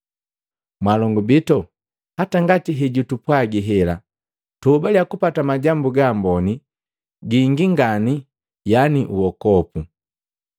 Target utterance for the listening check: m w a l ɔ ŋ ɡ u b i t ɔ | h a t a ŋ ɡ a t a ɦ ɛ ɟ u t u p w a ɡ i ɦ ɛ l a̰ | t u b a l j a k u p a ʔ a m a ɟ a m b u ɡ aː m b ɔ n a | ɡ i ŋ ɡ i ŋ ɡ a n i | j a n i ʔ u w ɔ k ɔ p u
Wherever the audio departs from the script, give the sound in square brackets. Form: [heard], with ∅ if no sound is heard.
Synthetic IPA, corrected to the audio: m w a l ɔ ŋ ɡ u b i t ɔ | h a t a ŋ ɡ a t [i] ɦ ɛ ɟ u t u p w a ɡ i ɦ ɛ l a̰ | t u b a l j a k u p a [t] a m a ɟ a m b u ɡ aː m b ɔ n [i] | ɡ i ŋ ɡ i ŋ ɡ a n i | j a n i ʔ u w ɔ k ɔ p u